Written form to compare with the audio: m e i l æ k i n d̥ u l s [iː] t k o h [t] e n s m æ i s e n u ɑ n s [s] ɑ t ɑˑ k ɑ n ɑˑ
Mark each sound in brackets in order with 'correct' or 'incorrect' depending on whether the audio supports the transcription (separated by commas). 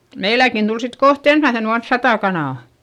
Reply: incorrect, correct, correct